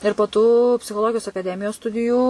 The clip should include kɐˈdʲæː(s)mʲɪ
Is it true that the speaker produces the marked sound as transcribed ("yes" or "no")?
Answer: no